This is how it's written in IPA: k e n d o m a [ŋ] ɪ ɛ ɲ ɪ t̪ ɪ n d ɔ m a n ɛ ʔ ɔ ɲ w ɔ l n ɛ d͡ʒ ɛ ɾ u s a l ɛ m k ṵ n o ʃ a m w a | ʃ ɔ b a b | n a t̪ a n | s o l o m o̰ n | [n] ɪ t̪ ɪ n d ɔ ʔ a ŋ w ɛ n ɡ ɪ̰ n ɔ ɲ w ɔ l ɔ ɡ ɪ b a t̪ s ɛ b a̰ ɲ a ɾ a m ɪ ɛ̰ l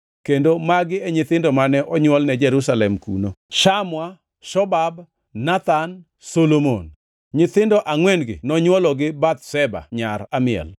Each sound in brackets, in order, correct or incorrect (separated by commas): incorrect, incorrect